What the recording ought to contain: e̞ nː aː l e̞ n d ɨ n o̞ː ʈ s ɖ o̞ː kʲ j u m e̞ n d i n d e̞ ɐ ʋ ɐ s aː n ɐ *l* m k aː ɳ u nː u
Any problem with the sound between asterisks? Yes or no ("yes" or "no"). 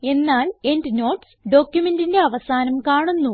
yes